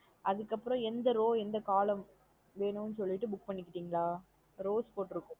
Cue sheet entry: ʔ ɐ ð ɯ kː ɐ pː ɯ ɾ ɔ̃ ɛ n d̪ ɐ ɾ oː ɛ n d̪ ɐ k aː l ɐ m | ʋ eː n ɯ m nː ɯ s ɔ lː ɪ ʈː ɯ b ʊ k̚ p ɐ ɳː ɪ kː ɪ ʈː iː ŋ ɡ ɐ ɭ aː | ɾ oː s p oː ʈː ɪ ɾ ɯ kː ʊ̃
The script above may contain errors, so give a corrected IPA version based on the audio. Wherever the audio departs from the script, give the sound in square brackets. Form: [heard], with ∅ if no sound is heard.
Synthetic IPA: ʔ ɐ ð ɯ kː ɐ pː ɯ ɾ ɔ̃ ɛ n d̪ ɐ ɾ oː ɛ n d̪ ɐ k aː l ɐ m | ʋ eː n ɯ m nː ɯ s ɔ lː ɪ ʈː ɯ b ʊ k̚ p ɐ ɳː ɪ kː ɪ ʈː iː ŋ ɡ ɐ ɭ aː | ɾ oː s p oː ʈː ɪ ɾ ɯ kː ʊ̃